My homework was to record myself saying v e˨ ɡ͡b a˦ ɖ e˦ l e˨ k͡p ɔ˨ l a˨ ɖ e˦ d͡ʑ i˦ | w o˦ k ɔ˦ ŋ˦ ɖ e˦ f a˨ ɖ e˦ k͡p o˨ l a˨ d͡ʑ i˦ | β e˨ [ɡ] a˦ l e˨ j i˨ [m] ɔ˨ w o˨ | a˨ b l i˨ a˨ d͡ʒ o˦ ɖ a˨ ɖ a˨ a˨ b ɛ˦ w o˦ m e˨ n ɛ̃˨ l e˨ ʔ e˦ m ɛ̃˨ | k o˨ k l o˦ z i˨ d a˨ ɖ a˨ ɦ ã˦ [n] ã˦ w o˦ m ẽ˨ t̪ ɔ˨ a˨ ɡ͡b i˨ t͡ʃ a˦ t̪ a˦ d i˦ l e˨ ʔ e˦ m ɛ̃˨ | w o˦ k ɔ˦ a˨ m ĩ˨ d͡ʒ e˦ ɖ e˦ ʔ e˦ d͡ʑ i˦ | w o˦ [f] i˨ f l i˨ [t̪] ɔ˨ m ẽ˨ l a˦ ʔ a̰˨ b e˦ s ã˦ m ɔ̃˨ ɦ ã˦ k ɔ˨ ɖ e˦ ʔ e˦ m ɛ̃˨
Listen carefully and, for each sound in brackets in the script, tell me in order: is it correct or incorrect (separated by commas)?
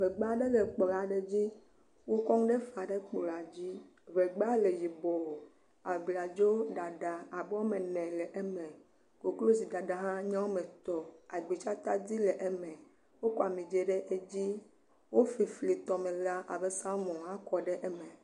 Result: incorrect, incorrect, incorrect, correct, correct